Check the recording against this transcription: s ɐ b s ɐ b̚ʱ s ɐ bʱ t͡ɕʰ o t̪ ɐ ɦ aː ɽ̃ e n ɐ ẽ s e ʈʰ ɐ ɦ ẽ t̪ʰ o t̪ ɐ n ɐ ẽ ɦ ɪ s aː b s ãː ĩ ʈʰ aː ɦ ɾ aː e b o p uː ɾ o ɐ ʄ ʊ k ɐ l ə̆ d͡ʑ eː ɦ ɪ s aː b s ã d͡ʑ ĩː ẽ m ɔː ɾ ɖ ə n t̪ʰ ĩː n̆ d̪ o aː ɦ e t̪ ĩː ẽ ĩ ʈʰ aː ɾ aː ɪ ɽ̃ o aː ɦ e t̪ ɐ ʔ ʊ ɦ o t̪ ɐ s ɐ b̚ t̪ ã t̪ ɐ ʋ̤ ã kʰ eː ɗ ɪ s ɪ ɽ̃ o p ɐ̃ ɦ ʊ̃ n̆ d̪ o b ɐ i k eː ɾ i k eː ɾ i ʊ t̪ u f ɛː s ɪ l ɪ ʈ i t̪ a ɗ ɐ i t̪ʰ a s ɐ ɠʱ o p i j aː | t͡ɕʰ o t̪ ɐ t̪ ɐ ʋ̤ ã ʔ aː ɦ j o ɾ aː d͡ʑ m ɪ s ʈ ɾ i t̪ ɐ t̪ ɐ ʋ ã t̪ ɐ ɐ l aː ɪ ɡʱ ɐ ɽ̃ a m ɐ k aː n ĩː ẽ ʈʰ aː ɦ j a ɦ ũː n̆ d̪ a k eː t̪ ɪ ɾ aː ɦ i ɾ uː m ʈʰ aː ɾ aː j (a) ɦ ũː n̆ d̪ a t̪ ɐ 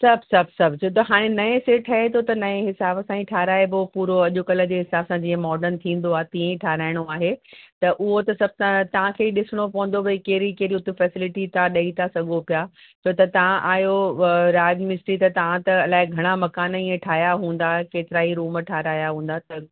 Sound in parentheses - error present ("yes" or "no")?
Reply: no